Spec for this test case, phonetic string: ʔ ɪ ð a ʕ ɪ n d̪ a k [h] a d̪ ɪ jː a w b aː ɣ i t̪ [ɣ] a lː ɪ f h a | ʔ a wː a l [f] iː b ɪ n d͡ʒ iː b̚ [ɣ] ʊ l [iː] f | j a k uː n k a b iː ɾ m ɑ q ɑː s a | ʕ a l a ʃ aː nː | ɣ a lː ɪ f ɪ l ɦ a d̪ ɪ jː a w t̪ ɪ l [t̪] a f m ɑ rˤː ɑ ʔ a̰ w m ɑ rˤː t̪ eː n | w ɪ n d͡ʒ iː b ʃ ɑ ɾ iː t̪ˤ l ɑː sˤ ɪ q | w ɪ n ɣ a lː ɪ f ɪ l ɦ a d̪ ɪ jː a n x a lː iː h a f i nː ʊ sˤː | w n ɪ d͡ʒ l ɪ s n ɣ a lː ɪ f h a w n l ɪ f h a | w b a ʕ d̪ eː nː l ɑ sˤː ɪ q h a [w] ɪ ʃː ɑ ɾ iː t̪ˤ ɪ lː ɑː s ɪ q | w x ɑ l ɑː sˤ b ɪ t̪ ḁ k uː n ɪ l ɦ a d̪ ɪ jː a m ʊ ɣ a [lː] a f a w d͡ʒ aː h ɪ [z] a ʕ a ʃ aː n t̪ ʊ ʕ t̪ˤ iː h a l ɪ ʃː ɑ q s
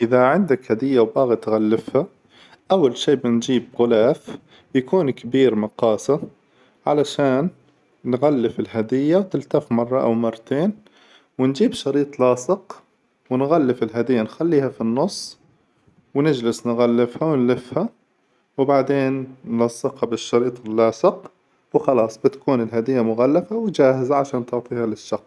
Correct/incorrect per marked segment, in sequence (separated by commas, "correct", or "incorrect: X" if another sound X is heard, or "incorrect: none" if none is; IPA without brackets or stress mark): correct, correct, incorrect: ʃ, correct, incorrect: aː, correct, incorrect: b, correct, correct